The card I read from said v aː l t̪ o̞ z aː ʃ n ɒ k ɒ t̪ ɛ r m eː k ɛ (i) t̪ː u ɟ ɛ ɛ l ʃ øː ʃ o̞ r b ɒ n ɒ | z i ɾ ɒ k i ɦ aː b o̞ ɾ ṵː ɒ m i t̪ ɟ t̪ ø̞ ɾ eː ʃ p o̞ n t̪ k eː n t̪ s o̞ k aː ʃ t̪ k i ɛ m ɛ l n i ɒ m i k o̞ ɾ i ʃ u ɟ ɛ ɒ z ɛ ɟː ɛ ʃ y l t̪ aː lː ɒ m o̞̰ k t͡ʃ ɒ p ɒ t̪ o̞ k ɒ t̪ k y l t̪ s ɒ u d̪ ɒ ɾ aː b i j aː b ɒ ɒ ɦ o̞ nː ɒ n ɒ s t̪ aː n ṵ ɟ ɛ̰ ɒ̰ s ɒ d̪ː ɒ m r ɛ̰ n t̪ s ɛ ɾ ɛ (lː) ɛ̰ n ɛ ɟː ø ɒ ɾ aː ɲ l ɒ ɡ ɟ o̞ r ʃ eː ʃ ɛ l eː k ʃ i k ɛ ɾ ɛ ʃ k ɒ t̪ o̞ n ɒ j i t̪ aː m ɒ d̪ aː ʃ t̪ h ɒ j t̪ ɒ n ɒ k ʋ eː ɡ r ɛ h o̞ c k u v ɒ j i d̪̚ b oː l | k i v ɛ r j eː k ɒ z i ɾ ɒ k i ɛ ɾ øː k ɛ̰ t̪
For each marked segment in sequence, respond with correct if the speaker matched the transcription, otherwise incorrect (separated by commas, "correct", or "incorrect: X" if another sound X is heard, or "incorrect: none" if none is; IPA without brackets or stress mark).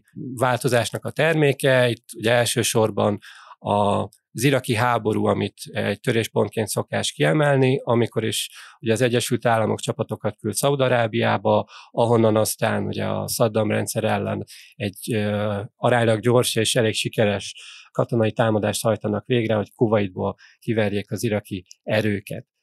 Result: correct, correct